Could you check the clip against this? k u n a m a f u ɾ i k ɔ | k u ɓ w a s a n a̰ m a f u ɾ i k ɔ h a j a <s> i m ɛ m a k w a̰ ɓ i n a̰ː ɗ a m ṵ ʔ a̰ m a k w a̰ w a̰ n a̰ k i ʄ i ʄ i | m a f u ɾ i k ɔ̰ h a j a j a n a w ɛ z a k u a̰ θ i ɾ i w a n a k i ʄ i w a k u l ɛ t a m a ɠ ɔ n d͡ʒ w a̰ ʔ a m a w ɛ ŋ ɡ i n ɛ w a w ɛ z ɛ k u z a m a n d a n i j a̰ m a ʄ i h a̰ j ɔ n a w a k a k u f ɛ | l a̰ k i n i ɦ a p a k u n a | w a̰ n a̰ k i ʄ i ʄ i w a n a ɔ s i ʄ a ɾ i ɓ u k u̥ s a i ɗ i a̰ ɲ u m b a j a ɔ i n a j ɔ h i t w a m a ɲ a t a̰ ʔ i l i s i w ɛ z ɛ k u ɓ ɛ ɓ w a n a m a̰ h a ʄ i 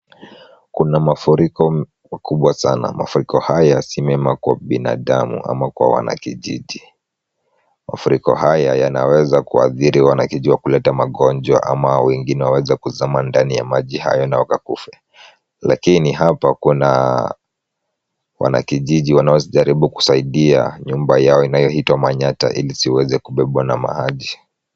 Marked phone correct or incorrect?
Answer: correct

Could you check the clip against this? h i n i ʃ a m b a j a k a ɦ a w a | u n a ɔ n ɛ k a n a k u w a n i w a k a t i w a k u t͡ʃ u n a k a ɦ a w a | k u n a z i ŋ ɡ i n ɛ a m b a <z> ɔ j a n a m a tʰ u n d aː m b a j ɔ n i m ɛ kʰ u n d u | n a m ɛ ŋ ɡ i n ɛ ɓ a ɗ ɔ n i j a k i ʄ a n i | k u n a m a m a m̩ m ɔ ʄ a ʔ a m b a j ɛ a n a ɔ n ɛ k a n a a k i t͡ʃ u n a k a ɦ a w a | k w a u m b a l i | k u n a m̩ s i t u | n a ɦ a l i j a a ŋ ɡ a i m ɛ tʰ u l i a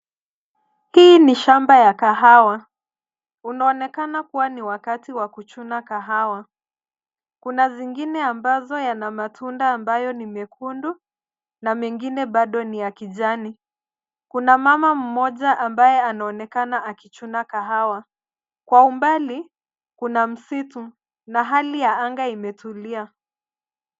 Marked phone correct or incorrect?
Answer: correct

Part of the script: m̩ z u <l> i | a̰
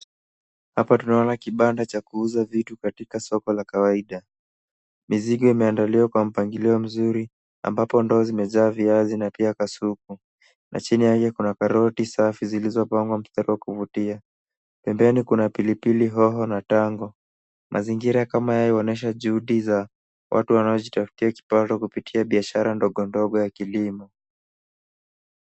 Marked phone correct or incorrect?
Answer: incorrect: ɾ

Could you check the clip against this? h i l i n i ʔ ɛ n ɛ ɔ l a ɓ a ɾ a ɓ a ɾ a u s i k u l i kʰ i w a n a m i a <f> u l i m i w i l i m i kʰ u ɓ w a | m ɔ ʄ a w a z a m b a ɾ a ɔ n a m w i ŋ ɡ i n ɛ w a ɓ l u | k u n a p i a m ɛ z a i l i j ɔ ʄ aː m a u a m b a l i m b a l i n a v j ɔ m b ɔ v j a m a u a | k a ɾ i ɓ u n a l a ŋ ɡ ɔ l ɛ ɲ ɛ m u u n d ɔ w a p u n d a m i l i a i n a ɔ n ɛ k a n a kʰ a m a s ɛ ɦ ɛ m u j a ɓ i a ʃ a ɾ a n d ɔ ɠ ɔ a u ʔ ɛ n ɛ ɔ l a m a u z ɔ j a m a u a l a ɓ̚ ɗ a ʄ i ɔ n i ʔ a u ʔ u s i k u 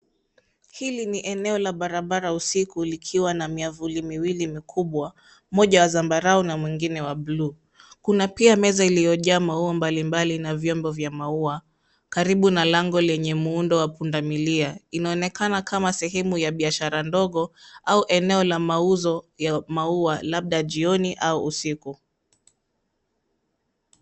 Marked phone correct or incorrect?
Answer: incorrect: v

